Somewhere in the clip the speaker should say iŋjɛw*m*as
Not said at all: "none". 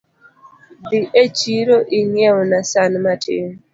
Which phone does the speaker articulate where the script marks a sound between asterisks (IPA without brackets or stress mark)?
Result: n